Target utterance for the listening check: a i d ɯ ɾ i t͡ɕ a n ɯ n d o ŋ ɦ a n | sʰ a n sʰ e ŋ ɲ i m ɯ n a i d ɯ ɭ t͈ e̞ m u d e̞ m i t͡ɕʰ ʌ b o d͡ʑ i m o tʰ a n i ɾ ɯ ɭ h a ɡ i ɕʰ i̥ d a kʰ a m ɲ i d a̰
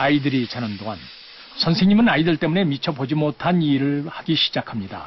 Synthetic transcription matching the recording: a i d ɯ ɾ i t͡ɕ a n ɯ n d o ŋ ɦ a n | sʰ ʌ n sʰ e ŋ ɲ i m ɯ n a i d ɯ ɭ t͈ e̞ m u n e̞ m i t͡ɕʰ ʌ b o d͡ʑ i m o tʰ a n i ɾ ɯ ɭ h a ɡ i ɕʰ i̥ d͡ʑ a kʰ a m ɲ i d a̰